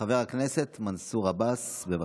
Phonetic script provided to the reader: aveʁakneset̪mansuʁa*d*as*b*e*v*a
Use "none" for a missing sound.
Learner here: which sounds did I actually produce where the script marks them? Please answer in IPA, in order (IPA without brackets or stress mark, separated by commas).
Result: b, b, v